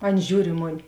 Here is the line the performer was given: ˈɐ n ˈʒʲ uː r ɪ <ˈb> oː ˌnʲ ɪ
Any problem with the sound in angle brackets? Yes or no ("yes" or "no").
yes